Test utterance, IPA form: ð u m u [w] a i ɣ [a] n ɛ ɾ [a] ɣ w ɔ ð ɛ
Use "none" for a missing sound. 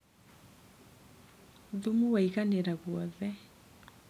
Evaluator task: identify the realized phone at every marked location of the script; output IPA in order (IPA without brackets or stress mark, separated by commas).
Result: w, a, a